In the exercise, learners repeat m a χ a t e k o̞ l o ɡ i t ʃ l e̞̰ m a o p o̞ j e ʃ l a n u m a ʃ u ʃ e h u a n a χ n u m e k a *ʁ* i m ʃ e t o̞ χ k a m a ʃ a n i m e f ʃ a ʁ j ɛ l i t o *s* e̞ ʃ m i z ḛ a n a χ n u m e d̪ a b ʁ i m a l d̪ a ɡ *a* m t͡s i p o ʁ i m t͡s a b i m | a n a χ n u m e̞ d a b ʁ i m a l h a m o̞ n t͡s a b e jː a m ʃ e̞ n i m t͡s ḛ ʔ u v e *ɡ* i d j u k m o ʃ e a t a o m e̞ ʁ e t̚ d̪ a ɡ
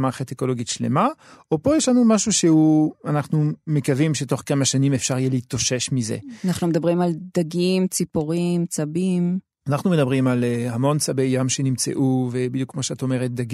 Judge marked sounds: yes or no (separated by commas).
no, no, no, no